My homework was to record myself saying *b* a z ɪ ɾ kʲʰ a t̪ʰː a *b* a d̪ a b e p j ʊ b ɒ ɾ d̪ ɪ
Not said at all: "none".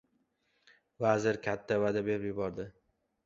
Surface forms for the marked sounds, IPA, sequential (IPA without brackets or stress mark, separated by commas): v, v